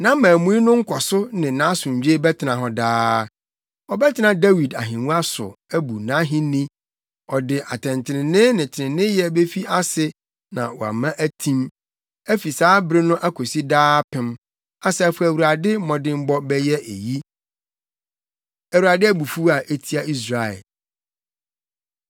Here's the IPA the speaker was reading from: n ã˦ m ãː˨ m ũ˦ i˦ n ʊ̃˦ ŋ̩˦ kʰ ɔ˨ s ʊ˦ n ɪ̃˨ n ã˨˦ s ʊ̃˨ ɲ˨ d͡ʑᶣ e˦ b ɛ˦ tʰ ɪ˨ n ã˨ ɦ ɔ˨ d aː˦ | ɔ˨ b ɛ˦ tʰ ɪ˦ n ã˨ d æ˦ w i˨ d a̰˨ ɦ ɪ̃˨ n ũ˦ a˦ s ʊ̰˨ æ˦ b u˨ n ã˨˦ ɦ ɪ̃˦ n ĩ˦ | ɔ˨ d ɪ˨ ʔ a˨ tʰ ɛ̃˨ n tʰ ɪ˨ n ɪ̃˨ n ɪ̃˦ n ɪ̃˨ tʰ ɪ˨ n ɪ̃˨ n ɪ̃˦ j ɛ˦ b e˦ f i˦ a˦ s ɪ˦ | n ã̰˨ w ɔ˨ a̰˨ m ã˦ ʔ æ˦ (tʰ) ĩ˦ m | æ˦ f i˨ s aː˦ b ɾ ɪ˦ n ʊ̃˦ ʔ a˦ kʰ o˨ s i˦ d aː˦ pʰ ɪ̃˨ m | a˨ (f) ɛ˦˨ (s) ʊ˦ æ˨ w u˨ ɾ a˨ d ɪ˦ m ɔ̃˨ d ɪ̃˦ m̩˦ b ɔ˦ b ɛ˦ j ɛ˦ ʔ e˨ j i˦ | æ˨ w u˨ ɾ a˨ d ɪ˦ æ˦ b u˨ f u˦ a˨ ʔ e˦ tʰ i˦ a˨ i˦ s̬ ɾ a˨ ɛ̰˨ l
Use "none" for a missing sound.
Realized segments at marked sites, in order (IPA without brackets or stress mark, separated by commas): tʰ, s, f